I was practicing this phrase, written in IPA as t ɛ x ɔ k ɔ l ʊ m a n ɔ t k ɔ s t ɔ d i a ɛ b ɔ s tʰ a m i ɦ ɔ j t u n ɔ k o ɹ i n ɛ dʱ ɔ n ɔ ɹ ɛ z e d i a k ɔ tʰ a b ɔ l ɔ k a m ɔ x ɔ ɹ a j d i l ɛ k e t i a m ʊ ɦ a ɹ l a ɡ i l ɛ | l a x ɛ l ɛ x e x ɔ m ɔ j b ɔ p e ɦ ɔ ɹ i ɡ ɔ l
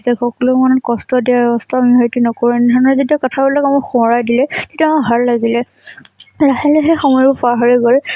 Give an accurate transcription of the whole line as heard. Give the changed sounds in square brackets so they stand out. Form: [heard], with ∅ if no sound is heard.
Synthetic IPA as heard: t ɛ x ɔ k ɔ l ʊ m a n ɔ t k ɔ s t ɔ d i a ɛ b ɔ s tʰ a m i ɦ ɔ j t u n ɔ k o ɹ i n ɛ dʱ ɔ n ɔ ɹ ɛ z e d i a k ɔ tʰ a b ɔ l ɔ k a m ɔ x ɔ ɹ a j d i l ɛ [t] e t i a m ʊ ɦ a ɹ l a ɡ i l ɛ | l a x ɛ l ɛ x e x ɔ m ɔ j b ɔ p [a] ɦ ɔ ɹ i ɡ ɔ l